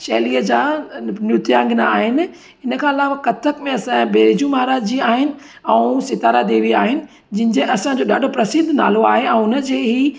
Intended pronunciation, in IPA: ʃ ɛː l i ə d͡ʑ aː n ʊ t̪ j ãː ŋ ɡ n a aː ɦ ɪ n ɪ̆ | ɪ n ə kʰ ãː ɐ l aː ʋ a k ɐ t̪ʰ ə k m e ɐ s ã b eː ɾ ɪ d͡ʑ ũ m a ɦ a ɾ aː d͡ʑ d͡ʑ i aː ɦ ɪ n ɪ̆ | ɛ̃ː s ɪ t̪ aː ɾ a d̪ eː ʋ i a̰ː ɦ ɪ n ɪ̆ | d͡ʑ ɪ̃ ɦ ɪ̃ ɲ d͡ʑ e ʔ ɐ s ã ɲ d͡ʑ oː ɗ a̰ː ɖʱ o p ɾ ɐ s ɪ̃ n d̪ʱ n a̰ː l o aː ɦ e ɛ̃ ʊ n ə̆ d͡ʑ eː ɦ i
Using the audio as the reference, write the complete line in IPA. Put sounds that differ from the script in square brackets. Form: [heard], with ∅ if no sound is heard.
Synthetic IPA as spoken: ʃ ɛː l i ə d͡ʑ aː n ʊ t̪ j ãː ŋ ɡ n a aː ɦ ɪ n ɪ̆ | ɪ n ə kʰ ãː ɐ l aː ʋ a k ɐ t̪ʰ ə k m [ẽ] ɐ s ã b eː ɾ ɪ d͡ʑ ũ m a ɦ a ɾ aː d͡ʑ d͡ʑ i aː ɦ ɪ n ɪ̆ | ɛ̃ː s ɪ t̪ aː ɾ a d̪ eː ʋ i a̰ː ɦ ɪ n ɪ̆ | d͡ʑ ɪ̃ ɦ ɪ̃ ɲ d͡ʑ e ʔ ɐ s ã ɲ d͡ʑ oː ɗ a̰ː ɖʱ o p ɾ ɐ s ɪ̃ n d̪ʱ n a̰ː l o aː ɦ e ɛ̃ ʊ n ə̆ d͡ʑ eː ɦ i